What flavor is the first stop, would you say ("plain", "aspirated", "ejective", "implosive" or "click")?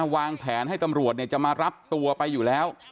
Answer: aspirated